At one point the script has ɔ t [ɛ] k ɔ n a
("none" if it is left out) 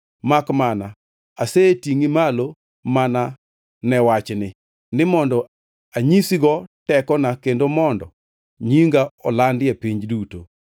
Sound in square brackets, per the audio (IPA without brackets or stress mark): ɛ